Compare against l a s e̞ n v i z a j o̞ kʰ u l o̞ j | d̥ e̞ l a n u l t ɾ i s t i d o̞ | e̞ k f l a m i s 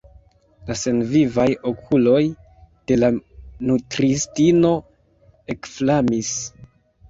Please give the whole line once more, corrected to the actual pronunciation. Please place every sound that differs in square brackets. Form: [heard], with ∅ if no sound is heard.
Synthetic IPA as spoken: l a s e̞ n v i [v] a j o̞ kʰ u l o̞ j | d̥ e̞ l a n u [∅] t ɾ i s t i [n] o̞ | e̞ k f l a m i s